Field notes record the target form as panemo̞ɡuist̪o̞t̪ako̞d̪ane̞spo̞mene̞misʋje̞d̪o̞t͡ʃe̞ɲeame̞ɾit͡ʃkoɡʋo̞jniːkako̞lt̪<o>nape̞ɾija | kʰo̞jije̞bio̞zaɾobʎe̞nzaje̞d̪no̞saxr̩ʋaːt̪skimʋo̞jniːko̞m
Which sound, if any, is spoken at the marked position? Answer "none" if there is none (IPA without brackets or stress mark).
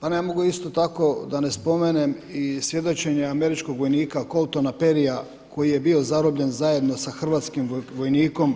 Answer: o